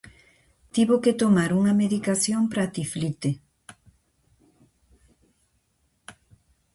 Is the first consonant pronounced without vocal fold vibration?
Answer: yes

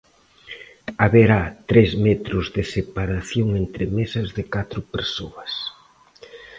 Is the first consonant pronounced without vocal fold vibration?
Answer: no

